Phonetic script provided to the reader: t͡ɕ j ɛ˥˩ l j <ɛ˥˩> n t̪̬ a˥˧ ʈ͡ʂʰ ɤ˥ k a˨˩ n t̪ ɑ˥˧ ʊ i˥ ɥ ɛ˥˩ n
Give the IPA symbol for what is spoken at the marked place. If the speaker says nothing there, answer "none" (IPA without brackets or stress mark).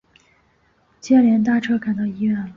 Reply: ɛ˧˥